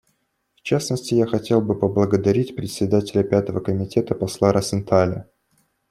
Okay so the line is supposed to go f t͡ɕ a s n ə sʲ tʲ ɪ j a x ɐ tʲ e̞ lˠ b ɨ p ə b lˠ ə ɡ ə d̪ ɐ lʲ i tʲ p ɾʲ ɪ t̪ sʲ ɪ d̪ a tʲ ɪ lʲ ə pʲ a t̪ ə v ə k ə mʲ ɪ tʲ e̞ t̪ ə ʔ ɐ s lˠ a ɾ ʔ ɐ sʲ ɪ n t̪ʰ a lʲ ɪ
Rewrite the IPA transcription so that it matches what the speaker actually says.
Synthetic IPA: f t͡ɕ a s n ə sʲ tʲ ɪ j a x ɐ tʲ e̞ lˠ b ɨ p ə b lˠ ə ɡ ə d̪ ɐ ɾʲ i tʲ p ɾʲ ɪ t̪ sʲ ɪ d̪ a tʲ ɪ lʲ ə pʲ a t̪ ə v ə k ə mʲ ɪ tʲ e̞ t̪ ə p ɐ s lˠ a ɾ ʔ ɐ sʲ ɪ n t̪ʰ a lʲ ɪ

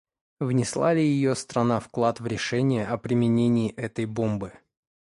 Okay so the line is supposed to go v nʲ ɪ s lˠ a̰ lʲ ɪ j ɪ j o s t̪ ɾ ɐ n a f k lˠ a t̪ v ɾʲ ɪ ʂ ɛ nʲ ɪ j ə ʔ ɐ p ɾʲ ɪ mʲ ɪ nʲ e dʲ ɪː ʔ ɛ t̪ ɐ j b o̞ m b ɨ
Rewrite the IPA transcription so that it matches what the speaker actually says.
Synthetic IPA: v nʲ ɪ s lˠ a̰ lʲ ɪ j ɪ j o s t̪ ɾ ɐ n a f k lˠ a t̪ v ɾʲ ɪ ʂ ɛ nʲ ɪ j ə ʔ ɐ p ɾʲ ɪ mʲ ɪ nʲ e nʲ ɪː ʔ ɛ t̪ ə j b o̞ m b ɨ

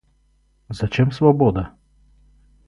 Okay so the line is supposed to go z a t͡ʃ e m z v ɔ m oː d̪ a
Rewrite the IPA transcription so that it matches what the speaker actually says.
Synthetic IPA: z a t͡ʃ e m s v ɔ b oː d̪ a

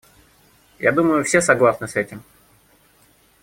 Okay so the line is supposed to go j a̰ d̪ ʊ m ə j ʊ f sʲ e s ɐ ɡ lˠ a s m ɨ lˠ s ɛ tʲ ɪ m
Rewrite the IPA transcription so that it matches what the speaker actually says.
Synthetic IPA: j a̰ d̪ u m ə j ʊ f sʲ e s ɐ ɡ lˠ a s n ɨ s ɛ tʲ ɪ m

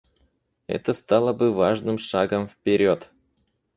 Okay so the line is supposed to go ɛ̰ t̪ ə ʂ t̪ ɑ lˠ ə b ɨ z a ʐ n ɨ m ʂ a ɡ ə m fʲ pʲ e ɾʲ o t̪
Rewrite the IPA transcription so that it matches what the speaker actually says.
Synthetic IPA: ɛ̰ t̪ ə s t̪ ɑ lˠ ə b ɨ v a ʐ n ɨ m ʂ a ɡ ə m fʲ pʲ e ɾʲ o t̪

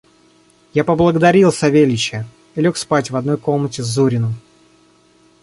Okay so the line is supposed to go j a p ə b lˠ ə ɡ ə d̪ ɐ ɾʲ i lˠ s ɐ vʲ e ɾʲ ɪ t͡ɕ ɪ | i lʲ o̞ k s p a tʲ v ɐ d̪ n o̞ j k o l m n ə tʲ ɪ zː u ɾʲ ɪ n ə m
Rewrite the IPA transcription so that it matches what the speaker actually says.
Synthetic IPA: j a p ə b lˠ ə ɡ ə d̪ ɐ ɾʲ i lˠ s ɐ vʲ e lʲ ɪ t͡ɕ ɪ | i lʲ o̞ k s p a tʲ v ɐ d̪ n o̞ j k o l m n ə tʲ ɪ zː u ɾʲ ɪ n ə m

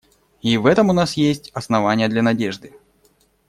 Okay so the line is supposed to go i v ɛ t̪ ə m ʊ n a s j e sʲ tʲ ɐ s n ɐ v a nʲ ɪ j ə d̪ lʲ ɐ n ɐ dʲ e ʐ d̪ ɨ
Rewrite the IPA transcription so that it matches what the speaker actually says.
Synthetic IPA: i v ɛ t̪ ə m ʊ n a s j e sʲ tʲ ɐ s n ɐ v a nʲ ɪ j ə d̪ lʲ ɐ n ɐ dʲ e ʐ d̪ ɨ

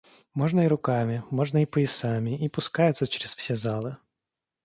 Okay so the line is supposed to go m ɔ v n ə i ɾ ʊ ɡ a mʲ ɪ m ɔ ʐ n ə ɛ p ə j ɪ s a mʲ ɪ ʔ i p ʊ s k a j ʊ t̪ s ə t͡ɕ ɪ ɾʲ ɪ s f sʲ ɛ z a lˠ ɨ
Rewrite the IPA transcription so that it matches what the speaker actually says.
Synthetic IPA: m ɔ ʐ n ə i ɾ ʊ k a mʲ ɪ m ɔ ʐ n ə i p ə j ɪ s a mʲ ɪ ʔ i p ʊ s k a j ʊ t̪ s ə t͡ɕ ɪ ɾʲ ɪ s f sʲ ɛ z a lˠ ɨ

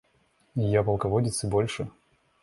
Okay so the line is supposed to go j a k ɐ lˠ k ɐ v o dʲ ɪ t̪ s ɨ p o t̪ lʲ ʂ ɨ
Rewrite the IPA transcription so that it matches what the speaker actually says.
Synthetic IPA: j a p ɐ lˠ k ɐ v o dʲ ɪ t̪ s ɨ b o lʲ ʂ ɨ

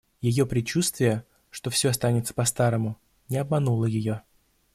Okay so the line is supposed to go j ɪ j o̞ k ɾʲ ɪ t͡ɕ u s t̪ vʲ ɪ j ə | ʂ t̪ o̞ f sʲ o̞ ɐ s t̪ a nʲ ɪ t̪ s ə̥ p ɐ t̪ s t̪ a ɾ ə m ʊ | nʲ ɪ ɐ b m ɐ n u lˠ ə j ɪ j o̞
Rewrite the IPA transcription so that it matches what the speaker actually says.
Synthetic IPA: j ɪ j o̞ p ɾʲ ɪ t͡ɕ u s t̪ vʲ ɪ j ə | ʂ t̪ o̞ f sʲ o̞ ɐ s t̪ a nʲ ɪ t̪ s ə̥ p ɐ s t̪ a ɾ ə m ʊ | nʲ ɪ ɐ b m ɐ n u lˠ ə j ɪ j o̞

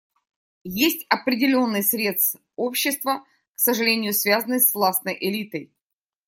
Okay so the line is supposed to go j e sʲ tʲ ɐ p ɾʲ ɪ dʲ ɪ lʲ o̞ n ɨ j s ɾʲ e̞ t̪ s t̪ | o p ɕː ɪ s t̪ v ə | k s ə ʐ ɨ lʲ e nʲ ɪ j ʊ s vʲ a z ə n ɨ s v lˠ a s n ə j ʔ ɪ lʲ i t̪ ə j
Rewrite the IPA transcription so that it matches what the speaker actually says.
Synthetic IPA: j e sʲ tʲ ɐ p ɾʲ ɪ dʲ ɪ lʲ o̞ nː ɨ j s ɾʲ e̞ t̪ s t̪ | o p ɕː ɪ s t̪ v ə | k s ə ʐ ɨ lʲ e nʲ ɪ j ʊ s vʲ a z ə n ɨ s v lˠ a s n ə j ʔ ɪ lʲ i t̪ ə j

